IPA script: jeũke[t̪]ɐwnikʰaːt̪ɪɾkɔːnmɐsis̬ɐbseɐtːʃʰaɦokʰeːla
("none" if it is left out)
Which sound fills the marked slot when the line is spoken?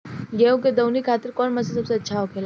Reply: d̪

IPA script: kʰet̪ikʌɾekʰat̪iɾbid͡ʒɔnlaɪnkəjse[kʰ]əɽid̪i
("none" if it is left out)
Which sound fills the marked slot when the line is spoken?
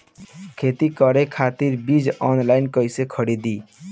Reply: kʰ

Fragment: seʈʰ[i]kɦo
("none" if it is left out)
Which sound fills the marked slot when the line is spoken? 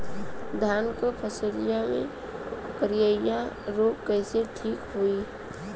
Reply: iː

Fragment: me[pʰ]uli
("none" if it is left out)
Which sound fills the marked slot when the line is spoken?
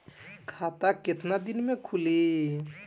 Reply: kʰ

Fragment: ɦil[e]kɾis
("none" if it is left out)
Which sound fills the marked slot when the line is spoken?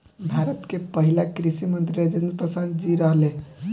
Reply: a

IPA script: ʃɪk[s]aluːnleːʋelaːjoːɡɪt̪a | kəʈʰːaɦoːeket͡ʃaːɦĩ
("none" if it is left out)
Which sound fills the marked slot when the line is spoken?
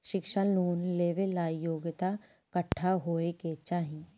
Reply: ʃ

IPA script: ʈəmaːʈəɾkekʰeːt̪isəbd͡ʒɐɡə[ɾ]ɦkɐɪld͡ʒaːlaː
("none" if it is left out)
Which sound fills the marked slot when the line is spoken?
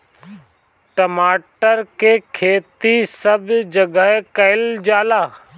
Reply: none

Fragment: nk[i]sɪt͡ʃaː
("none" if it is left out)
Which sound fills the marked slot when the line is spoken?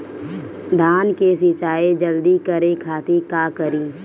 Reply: e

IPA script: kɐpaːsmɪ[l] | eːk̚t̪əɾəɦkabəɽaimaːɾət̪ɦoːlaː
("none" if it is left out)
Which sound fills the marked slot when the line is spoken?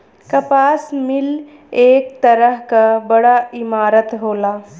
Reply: l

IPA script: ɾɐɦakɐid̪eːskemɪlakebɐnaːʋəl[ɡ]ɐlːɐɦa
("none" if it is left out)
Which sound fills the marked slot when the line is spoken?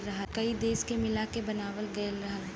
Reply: ɡ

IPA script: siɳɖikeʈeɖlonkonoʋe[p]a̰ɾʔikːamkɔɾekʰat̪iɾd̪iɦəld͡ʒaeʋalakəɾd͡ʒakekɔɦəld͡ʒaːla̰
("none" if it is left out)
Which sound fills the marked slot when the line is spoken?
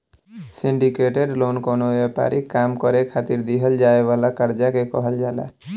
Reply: p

